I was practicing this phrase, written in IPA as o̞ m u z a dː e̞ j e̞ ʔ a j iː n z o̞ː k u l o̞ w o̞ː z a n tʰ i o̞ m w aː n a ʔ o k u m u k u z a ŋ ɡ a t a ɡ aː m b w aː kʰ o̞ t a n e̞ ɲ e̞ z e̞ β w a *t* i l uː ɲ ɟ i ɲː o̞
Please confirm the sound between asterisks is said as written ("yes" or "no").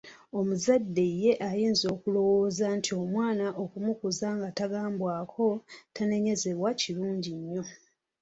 no